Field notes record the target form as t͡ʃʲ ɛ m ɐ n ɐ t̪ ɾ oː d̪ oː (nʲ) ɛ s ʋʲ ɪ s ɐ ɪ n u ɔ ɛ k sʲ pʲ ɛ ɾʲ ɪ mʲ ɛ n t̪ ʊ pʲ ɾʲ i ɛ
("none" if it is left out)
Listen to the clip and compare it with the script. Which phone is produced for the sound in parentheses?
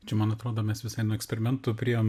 mʲ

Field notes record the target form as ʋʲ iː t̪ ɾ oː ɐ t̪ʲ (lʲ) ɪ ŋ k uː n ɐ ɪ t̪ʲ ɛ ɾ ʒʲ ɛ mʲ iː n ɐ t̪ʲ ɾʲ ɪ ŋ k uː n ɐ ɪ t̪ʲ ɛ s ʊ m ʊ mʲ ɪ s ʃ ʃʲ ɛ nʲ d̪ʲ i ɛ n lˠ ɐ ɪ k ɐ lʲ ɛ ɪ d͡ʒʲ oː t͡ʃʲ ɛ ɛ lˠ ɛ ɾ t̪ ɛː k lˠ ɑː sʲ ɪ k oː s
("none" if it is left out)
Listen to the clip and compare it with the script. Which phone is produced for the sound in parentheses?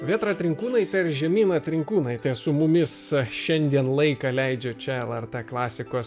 ɾʲ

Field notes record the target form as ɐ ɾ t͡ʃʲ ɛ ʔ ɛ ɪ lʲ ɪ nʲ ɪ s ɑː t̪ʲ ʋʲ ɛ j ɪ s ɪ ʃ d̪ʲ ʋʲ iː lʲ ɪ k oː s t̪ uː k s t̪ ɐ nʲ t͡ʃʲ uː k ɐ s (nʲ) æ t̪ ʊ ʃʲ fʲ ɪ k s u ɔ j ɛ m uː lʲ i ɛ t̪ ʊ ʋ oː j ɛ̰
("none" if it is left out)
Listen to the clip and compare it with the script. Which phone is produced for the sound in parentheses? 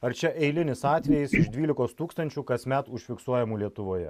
mʲ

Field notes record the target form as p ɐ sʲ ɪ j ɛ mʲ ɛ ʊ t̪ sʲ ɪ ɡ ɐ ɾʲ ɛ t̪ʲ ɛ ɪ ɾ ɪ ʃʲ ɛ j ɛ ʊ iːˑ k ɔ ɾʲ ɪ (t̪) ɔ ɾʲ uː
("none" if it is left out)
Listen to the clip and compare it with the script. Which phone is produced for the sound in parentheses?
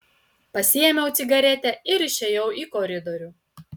d̪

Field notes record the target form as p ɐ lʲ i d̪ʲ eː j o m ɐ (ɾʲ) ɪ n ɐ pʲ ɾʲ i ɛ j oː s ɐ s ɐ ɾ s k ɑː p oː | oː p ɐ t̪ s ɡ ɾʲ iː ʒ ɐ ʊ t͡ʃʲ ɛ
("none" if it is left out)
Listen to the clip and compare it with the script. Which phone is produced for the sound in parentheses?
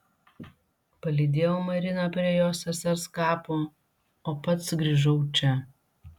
ɾʲ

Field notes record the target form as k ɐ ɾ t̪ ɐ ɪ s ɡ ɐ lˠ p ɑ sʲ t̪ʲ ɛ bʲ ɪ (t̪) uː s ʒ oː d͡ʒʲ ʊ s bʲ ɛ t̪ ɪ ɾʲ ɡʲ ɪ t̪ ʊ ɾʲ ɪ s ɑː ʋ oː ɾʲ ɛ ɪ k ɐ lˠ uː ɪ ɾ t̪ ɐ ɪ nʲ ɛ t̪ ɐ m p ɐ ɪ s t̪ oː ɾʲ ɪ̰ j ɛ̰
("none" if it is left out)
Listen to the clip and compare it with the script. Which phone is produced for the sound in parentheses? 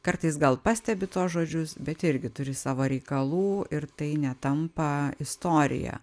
t̪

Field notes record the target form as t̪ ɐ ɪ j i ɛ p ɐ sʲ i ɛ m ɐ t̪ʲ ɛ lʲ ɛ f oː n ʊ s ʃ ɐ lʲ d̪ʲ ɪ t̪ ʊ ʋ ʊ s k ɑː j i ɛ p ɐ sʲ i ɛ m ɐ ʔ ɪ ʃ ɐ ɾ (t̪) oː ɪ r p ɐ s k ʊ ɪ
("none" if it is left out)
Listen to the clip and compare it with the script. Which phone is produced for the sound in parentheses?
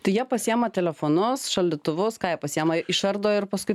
d̪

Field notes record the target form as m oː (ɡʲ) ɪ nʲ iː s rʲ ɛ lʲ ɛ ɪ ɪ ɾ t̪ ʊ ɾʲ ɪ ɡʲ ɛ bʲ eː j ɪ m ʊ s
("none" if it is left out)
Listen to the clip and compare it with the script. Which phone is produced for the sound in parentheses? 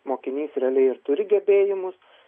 kʲ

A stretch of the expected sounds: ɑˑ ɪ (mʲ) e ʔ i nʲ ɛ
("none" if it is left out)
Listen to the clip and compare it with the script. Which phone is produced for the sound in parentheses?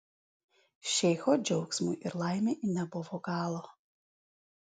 mʲ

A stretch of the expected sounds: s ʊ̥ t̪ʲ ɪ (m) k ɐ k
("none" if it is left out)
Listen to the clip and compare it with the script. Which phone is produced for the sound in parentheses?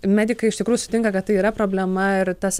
ŋ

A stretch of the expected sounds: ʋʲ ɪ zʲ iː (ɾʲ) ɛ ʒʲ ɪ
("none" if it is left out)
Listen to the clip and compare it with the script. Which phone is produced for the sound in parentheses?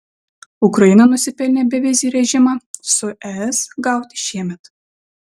ɾʲ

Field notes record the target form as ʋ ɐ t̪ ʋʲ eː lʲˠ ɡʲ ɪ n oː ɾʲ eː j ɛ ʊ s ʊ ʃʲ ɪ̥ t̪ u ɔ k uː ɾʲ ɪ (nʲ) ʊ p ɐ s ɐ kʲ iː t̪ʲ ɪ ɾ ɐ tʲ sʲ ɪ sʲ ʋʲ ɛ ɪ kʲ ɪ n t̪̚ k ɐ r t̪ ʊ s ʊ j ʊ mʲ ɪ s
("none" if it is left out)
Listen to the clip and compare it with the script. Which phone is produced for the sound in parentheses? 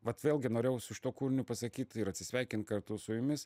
nʲ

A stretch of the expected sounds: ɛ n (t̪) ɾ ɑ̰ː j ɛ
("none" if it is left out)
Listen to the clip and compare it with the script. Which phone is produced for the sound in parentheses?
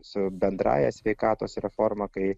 d̪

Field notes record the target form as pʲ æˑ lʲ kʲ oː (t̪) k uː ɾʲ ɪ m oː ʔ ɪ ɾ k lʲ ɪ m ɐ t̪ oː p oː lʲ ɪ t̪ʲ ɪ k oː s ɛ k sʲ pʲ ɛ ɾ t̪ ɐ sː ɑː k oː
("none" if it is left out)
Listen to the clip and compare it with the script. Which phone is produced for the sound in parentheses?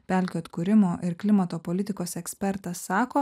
t̪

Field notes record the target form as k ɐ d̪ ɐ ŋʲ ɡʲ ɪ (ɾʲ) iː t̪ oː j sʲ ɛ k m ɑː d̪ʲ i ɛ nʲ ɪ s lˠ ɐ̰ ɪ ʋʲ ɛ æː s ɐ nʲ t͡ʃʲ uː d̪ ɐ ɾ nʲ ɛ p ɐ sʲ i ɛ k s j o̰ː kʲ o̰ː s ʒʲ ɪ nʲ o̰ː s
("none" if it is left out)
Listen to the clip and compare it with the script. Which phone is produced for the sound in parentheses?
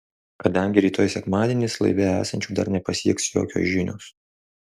ɾʲ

